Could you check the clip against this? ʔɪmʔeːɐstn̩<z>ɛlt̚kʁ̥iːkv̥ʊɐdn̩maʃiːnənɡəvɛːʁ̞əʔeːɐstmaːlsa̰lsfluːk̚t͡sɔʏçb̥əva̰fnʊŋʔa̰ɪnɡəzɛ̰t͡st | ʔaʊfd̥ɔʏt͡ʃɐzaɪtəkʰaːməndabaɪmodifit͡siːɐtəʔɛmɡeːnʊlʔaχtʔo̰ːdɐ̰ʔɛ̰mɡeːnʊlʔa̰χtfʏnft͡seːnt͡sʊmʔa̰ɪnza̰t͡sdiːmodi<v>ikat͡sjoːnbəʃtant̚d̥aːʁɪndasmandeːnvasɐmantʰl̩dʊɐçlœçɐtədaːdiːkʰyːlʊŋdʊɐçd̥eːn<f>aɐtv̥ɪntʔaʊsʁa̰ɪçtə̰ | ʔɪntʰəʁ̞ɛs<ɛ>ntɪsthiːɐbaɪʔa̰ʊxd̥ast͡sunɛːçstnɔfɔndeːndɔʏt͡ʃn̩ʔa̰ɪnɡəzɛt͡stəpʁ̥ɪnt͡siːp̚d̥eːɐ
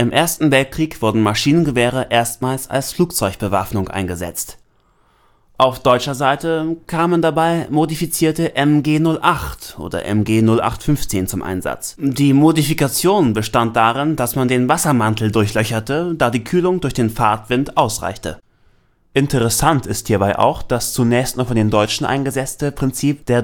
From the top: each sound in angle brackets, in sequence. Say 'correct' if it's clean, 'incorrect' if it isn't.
incorrect, incorrect, correct, incorrect

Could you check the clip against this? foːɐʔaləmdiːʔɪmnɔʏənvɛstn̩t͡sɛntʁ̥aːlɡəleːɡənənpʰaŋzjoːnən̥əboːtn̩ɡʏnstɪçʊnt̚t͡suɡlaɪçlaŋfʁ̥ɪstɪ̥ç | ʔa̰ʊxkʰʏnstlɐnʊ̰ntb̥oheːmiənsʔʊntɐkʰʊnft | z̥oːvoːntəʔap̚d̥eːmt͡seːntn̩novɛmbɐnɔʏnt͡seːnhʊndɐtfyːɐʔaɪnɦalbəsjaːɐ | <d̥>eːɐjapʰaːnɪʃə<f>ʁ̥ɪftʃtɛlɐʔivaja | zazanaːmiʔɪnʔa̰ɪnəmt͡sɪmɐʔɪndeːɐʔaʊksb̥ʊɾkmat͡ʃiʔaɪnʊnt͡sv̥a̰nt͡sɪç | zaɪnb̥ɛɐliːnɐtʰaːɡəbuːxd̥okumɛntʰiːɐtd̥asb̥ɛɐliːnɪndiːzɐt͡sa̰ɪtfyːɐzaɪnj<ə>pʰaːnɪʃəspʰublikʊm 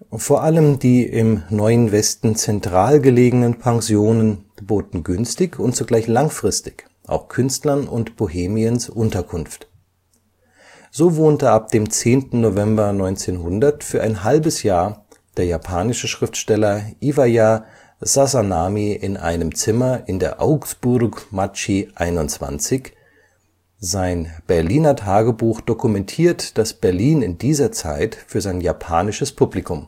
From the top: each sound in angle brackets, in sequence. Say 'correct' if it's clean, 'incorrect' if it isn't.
correct, incorrect, incorrect

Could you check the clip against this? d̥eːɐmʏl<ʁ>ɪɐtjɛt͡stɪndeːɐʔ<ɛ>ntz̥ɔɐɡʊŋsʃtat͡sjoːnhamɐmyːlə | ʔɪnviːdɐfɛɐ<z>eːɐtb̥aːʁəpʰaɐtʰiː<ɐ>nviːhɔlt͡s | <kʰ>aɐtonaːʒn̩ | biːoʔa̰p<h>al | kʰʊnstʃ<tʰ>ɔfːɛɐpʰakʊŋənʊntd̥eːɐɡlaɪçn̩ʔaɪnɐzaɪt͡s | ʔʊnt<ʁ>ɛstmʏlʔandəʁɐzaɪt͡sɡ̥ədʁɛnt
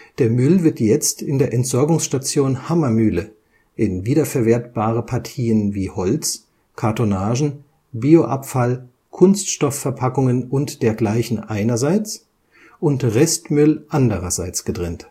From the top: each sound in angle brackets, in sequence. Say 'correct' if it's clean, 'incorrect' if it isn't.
incorrect, correct, incorrect, incorrect, correct, incorrect, incorrect, correct

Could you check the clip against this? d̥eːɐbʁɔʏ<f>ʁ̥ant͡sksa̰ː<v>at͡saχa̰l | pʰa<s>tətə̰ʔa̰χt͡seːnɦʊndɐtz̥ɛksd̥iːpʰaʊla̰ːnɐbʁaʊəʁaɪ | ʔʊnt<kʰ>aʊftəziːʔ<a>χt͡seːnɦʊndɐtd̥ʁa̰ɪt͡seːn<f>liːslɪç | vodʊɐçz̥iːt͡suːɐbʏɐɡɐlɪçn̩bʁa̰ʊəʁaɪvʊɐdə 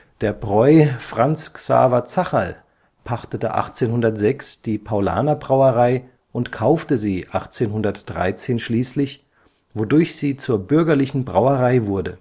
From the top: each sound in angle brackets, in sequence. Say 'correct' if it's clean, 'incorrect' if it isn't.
correct, correct, incorrect, correct, correct, incorrect

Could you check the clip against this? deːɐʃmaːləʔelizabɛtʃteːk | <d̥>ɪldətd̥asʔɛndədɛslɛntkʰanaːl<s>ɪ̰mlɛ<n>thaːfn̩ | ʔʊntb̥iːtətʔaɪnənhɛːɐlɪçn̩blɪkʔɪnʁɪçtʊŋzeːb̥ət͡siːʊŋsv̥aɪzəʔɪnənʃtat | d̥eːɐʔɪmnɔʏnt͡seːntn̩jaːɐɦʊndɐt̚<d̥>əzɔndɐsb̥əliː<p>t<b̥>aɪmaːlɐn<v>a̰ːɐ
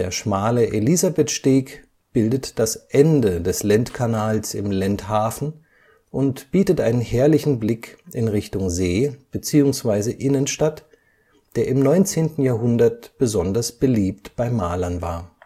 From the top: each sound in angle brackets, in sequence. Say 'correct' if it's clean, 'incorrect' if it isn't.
incorrect, correct, correct, incorrect, correct, correct, correct

